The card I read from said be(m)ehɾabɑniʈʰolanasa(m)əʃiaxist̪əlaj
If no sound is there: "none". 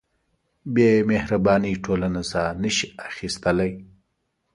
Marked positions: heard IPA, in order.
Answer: m, n

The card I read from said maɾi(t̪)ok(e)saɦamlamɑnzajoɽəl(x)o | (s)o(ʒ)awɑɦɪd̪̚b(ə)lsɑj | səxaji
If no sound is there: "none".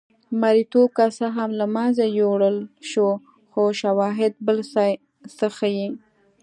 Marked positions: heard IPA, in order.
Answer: t̪, a, ʃ, x, ʃ, ə

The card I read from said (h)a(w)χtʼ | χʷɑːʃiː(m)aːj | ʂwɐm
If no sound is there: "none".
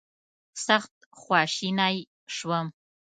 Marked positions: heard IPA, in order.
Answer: s, none, n

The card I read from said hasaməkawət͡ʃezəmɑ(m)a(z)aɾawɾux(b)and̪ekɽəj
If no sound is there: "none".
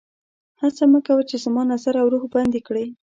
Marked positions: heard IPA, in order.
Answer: n, z, b

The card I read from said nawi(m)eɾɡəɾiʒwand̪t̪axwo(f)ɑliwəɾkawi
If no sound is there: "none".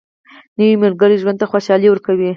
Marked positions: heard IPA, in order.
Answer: m, ʃ

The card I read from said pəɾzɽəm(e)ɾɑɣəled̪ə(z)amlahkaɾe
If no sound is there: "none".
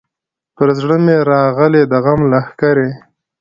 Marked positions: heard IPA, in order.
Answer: e, ɣ

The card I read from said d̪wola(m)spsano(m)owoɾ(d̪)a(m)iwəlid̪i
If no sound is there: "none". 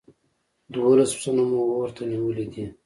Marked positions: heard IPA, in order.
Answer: none, m, t̪, n

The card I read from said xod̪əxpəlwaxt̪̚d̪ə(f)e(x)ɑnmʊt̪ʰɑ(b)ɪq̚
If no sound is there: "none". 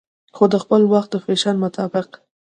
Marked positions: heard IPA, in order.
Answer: f, ʃ, b

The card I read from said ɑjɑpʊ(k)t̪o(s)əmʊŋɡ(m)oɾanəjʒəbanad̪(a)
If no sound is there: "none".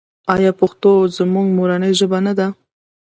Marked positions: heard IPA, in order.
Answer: x, z, m, a

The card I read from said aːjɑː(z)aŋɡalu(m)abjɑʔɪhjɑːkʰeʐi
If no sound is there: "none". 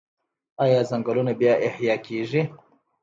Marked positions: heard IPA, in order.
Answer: z, n

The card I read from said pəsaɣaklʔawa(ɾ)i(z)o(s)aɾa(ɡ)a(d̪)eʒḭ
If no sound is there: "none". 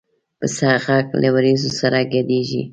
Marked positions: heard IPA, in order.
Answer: ɾ, z, s, ɡ, d̪

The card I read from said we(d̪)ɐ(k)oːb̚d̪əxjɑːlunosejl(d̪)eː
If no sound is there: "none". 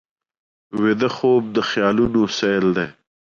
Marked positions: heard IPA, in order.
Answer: d̪, x, d̪

